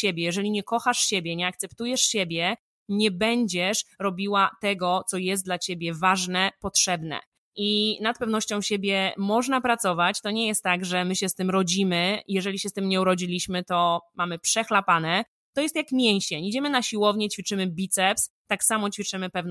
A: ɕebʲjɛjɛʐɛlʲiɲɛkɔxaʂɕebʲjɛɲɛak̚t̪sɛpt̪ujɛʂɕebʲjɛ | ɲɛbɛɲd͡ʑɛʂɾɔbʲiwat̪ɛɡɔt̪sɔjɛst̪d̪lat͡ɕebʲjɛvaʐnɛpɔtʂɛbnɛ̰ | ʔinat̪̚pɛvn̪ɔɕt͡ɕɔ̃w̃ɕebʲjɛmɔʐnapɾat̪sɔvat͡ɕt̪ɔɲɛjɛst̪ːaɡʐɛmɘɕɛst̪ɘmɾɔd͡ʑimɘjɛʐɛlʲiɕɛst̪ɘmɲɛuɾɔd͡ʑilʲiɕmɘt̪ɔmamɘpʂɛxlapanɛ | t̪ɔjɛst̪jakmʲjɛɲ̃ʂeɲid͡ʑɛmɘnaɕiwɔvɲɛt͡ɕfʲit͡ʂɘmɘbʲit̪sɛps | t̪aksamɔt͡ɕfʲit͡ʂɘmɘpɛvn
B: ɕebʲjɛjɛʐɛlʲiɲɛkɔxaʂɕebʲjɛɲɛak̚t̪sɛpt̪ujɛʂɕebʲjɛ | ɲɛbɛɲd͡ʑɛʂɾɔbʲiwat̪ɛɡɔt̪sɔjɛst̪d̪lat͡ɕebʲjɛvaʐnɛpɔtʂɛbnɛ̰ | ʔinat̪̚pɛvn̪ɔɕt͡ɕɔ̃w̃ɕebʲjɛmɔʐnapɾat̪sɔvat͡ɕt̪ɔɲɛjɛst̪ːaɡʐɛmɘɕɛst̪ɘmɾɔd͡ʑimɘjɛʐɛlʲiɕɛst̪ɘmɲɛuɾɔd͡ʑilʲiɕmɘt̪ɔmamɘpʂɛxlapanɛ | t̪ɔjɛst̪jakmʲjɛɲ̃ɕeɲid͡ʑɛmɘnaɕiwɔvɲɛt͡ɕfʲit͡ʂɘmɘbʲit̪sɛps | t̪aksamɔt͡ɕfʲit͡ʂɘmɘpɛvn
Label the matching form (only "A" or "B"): B